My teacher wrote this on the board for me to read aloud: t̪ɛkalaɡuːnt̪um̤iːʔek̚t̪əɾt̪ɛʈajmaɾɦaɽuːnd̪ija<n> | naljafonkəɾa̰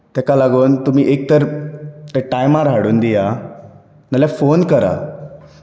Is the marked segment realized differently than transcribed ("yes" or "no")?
yes